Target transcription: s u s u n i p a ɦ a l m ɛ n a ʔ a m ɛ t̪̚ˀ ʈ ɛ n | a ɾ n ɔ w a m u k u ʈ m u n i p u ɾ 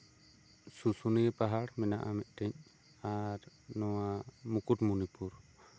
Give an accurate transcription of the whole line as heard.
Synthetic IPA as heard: s u s u n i p a ɦ a ɽ m ɛ n a ʔ a m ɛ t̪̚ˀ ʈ ɛ ɲ | a ɾ n ɔ w a m u k u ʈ m u n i p u ɾ